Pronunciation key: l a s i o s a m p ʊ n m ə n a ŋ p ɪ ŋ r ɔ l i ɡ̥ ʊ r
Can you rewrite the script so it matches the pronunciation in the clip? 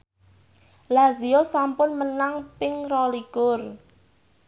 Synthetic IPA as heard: l a z i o s a m p ʊ n m ə n a ŋ p ɪ ŋ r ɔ l i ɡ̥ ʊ r

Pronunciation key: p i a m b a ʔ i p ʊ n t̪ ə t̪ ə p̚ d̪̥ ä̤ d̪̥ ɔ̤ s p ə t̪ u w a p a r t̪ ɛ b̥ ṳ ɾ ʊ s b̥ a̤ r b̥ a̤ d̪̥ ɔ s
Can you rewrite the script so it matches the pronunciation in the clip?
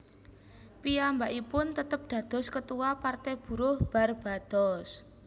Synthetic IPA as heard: p i a m b a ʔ i p ʊ n t̪ ə t̪ ə p̚ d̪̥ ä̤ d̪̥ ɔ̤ s k ə t̪ u w a p a r t̪ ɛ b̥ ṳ ɾ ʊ h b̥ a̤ r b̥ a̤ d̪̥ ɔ s

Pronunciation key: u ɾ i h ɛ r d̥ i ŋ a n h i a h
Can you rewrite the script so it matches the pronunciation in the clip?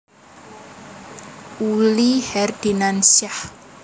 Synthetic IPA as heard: u l i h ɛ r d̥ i n a n s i a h

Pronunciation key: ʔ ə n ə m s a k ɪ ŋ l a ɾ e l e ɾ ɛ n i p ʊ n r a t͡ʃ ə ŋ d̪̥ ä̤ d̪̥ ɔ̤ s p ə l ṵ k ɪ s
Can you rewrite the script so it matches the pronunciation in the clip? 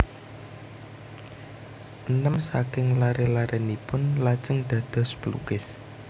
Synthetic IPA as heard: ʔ ə n ə m s a k ɪ ŋ l a ɾ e l a ɾ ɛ n i p ʊ n l a t͡ʃ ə ŋ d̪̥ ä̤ d̪̥ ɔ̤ s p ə l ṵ k ɪ s

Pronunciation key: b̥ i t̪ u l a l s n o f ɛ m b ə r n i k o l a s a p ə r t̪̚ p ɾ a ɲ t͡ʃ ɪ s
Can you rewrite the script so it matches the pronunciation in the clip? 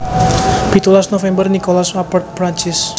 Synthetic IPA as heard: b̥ i t̪ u l a s n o f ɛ m b ə r n i k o l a s a p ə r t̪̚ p ɾ a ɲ t͡ʃ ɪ s

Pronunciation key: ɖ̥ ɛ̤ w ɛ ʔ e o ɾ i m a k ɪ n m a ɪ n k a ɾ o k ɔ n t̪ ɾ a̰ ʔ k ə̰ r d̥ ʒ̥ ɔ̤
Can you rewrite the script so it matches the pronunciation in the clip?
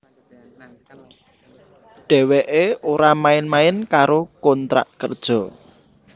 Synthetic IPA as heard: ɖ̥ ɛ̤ w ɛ ʔ e o ɾ a m a ɪ n m a ɪ n k a ɾ o k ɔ n t̪ ɾ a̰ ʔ k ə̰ r d̥ ʒ̥ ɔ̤

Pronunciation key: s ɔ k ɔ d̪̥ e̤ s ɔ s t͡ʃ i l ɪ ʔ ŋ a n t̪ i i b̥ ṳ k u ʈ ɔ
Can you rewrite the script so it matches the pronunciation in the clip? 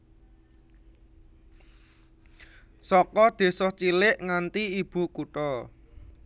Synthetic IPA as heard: s ɔ k ɔ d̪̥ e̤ s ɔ h t͡ʃ i l ɪ ʔ ŋ a n t̪ i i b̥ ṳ k u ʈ ɔ

